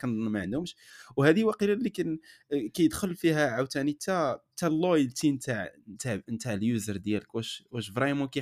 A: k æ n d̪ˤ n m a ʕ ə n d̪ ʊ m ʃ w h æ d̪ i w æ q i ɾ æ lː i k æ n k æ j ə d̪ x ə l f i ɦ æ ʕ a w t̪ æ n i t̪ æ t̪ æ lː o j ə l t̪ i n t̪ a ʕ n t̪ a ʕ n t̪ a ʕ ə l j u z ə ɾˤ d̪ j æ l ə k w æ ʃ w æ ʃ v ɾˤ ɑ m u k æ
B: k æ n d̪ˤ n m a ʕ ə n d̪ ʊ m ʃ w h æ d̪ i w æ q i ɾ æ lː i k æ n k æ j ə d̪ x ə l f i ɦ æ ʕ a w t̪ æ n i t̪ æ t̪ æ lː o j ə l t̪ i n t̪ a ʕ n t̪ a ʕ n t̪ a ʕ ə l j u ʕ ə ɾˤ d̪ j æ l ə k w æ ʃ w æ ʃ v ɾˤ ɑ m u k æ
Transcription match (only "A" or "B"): A